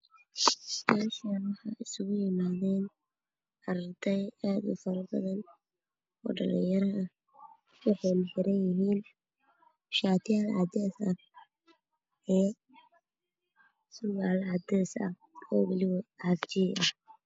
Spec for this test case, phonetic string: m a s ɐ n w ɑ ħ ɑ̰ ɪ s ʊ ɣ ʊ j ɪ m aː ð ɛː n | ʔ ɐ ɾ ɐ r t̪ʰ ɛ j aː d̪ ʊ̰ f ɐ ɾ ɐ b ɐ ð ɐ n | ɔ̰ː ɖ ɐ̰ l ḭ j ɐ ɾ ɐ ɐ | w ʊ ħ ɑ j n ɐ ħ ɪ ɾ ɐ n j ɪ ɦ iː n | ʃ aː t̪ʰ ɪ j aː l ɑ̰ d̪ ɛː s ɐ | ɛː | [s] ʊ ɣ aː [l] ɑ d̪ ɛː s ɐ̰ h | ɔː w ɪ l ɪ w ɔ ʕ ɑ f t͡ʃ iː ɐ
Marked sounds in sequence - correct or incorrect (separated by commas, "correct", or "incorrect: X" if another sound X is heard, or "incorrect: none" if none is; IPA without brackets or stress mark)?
correct, correct